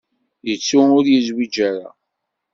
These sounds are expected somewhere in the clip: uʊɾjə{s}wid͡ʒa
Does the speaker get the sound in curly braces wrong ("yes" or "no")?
yes